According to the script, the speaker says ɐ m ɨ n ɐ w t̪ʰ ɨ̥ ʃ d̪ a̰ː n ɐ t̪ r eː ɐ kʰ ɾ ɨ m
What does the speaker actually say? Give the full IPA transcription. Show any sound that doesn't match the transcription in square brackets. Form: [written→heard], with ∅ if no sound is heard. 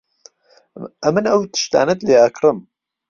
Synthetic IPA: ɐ m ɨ n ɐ w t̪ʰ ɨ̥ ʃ [d̪→t̪] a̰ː n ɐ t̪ [r→l] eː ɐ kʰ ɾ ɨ m

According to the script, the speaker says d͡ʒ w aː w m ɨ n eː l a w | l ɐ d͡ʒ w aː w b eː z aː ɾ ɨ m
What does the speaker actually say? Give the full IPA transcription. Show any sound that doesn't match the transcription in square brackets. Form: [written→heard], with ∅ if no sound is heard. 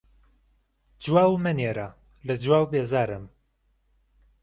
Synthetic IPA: d͡ʒ w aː w m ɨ n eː [l→ɾ] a [w→∅] | l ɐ d͡ʒ w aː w b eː z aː ɾ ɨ m

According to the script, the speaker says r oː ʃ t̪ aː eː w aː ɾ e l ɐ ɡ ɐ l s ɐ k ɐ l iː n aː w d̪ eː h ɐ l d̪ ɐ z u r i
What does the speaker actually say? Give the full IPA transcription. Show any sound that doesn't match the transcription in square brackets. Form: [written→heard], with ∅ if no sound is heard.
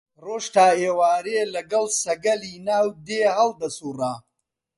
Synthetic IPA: r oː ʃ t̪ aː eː w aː ɾ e l ɐ ɡ ɐ l s ɐ [k→ɡ] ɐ l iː n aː w d̪ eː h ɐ l d̪ ɐ [z→s] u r [i→a]

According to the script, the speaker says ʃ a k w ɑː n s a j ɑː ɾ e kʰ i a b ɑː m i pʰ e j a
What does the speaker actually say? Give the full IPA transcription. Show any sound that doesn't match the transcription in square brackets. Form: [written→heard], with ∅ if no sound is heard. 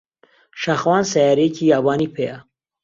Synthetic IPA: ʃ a [k→x] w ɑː n s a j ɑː ɾ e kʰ i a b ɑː [m→n] i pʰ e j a

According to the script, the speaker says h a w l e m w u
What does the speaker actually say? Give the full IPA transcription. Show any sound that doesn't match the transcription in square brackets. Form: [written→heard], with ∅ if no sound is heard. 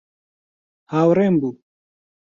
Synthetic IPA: h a w [l→ɾ] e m [w→b] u

